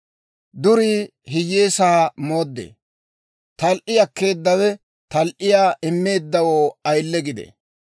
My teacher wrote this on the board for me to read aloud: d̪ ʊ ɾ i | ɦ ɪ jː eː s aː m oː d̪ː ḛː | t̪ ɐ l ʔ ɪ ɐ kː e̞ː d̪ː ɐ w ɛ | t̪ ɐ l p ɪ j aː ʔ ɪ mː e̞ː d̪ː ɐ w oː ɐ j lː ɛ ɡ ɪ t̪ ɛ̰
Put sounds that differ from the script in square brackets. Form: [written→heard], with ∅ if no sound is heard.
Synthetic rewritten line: d̪ ʊ ɾ i | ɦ ɪ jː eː s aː m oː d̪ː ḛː | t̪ ɐ l ʔ ɪ ɐ kː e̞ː d̪ː ɐ w ɛ | t̪ ɐ l [p→ʔ] ɪ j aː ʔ ɪ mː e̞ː d̪ː ɐ w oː ɐ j lː ɛ ɡ ɪ [t̪→d̪] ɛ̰

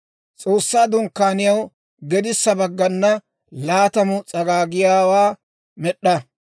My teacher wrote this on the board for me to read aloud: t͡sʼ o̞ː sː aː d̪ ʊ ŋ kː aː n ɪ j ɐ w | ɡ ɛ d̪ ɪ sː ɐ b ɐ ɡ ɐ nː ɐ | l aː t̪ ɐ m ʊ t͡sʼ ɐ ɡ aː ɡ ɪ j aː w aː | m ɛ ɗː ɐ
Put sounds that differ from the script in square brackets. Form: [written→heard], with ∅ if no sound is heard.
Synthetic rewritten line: t͡sʼ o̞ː sː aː d̪ ʊ ŋ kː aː n ɪ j ɐ w | ɡ ɛ d̪ ɪ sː ɐ b ɐ [ɡ→ɡː] ɐ nː ɐ | l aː t̪ ɐ m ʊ t͡sʼ ɐ ɡ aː ɡ ɪ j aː w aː | m ɛ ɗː ɐ

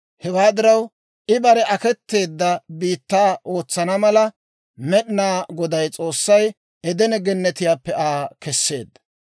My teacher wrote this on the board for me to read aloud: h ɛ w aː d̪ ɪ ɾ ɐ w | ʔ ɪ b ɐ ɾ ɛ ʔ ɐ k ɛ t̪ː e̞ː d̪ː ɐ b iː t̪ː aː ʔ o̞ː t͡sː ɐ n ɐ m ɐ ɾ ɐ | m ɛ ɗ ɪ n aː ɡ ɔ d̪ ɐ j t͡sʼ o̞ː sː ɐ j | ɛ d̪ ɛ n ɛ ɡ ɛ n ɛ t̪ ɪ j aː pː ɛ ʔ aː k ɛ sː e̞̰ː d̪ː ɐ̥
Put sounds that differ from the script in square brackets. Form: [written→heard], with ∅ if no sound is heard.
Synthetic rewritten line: h ɛ w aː d̪ ɪ ɾ ɐ w | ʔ ɪ b ɐ ɾ ɛ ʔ ɐ k ɛ t̪ː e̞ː d̪ː ɐ b iː t̪ː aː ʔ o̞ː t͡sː ɐ n ɐ m ɐ [ɾ→l] ɐ | m ɛ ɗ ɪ n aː ɡ ɔ d̪ ɐ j t͡sʼ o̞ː sː ɐ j | ɛ d̪ ɛ n ɛ ɡ ɛ [n→nː] ɛ t̪ ɪ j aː pː ɛ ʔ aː k ɛ sː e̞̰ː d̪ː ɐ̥

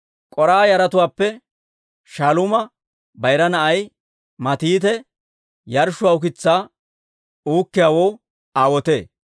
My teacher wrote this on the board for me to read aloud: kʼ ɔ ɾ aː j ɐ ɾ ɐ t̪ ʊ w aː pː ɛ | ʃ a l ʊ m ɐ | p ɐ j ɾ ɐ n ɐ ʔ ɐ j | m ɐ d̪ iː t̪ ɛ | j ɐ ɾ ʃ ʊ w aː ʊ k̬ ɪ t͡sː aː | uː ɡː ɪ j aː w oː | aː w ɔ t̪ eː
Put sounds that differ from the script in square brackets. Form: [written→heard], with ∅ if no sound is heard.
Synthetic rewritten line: kʼ ɔ ɾ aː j ɐ ɾ ɐ t̪ ʊ w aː pː ɛ | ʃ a l ʊ m ɐ | [p→b] ɐ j ɾ ɐ n ɐ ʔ ɐ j | m ɐ [d̪→t̪] iː t̪ ɛ | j ɐ ɾ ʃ ʊ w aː ʊ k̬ ɪ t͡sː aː | uː [ɡː→kː] ɪ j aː w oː | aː w ɔ t̪ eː

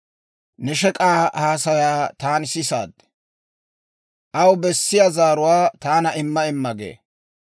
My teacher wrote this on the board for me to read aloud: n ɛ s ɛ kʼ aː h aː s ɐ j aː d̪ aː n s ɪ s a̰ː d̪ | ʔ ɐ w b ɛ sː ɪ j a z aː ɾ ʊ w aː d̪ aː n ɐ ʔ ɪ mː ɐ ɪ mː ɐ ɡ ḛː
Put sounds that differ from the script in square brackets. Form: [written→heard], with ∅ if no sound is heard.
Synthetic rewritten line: n ɛ [s→ʃ] ɛ kʼ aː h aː s ɐ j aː [d̪→t̪] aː n s ɪ s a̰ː d̪ | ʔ ɐ w b ɛ sː ɪ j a z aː ɾ ʊ w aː [d̪→t̪] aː n ɐ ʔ ɪ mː ɐ ɪ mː ɐ ɡ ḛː

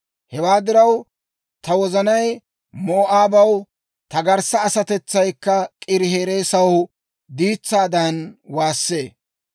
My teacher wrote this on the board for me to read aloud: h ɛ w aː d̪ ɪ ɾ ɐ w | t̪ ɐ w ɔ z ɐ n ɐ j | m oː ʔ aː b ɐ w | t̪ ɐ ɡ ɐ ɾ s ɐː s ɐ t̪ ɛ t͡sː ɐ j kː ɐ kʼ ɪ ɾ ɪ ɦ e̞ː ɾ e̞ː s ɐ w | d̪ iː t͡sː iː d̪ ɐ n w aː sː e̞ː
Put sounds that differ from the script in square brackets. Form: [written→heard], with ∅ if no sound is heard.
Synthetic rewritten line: h ɛ w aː d̪ ɪ ɾ ɐ w | t̪ ɐ w ɔ z ɐ n ɐ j | m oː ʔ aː b ɐ w | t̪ ɐ ɡ ɐ ɾ s ɐː s ɐ t̪ ɛ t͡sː ɐ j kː ɐ kʼ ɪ ɾ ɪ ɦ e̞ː ɾ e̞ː s ɐ w | d̪ iː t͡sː [iː→aː] d̪ ɐ n w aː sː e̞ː

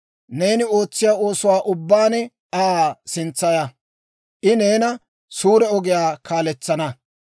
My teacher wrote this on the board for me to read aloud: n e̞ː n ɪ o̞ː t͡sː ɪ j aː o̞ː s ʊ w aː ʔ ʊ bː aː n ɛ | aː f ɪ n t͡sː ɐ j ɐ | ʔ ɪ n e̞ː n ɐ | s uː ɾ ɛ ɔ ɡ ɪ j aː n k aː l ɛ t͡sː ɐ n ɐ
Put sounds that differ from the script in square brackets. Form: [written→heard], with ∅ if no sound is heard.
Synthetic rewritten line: n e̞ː n ɪ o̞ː t͡sː ɪ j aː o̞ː s ʊ w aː ʔ ʊ bː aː n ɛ | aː [f→s] ɪ n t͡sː ɐ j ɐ | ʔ ɪ n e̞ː n ɐ | s uː ɾ ɛ ɔ ɡ ɪ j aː [n→∅] k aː l ɛ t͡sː ɐ n ɐ

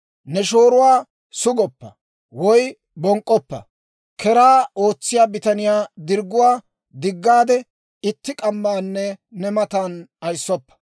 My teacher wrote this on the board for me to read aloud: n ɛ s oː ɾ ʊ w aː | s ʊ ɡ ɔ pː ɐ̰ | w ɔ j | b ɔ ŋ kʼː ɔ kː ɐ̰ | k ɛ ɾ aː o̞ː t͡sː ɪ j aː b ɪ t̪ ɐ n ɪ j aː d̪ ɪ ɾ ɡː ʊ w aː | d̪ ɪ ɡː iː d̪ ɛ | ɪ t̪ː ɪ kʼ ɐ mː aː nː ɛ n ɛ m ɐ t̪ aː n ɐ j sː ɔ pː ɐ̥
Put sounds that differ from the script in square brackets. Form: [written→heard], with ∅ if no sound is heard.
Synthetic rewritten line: n ɛ [s→ʃ] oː ɾ ʊ w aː | s ʊ ɡ ɔ pː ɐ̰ | w ɔ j | b ɔ ŋ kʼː ɔ [kː→pː] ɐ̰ | k ɛ ɾ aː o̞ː t͡sː ɪ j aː b ɪ t̪ ɐ n ɪ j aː d̪ ɪ ɾ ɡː ʊ w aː | d̪ ɪ ɡː [iː→aː] d̪ ɛ | ɪ t̪ː ɪ kʼ ɐ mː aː nː ɛ n ɛ m ɐ t̪ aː n ɐ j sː ɔ pː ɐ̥

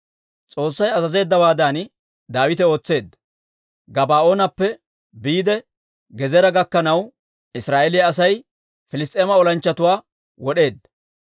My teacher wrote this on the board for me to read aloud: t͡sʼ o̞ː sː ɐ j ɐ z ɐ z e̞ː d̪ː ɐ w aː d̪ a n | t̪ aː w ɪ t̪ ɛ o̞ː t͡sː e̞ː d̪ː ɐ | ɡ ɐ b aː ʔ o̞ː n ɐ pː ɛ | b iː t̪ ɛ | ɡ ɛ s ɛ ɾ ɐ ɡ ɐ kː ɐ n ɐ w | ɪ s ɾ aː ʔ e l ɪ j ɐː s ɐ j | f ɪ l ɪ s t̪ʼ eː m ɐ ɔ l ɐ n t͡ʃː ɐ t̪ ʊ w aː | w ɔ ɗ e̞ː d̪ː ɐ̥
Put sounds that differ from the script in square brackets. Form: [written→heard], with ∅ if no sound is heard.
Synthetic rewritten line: t͡sʼ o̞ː sː ɐ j ɐ z ɐ z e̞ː d̪ː ɐ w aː d̪ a n | [t̪→d̪] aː w ɪ t̪ ɛ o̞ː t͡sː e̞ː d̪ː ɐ | ɡ ɐ b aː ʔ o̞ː n ɐ pː ɛ | b iː [t̪→d̪] ɛ | ɡ ɛ [s→z] ɛ ɾ ɐ ɡ ɐ kː ɐ n ɐ w | ɪ s ɾ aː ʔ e l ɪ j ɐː s ɐ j | f ɪ l ɪ s t̪ʼ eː m ɐ ɔ l ɐ n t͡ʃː ɐ t̪ ʊ w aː | w ɔ ɗ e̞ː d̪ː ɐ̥

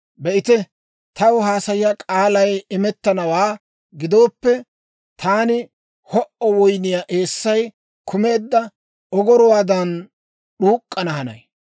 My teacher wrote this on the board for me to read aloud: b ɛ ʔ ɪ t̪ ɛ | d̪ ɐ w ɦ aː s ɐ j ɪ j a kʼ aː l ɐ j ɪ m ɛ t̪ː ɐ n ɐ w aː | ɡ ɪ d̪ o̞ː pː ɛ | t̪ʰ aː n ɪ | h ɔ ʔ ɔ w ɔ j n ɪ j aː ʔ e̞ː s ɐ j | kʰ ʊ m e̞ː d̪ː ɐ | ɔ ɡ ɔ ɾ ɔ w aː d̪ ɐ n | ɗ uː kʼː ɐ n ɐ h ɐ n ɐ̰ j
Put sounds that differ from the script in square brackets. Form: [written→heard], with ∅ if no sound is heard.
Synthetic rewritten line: b ɛ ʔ ɪ t̪ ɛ | [d̪→t̪] ɐ w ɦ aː s ɐ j ɪ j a kʼ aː l ɐ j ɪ m ɛ t̪ː ɐ n ɐ w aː | ɡ ɪ d̪ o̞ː pː ɛ | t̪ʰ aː n ɪ | h ɔ ʔ ɔ w ɔ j n ɪ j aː ʔ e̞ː [s→sː] ɐ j | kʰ ʊ m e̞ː d̪ː ɐ | ɔ ɡ ɔ ɾ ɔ w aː d̪ ɐ n | ɗ uː kʼː ɐ n ɐ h ɐ n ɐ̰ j

